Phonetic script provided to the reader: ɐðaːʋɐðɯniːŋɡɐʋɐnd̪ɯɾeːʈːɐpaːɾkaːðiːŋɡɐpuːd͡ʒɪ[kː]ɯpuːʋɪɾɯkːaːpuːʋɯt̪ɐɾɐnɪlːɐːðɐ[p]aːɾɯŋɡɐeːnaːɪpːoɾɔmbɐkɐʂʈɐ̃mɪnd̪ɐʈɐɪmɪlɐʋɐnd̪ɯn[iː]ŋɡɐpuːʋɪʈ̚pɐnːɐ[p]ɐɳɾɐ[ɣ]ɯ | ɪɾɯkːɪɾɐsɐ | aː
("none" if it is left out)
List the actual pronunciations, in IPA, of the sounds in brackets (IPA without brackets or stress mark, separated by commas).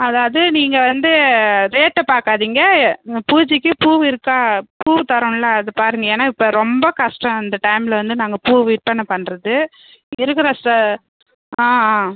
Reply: kː, p, aː, p, ð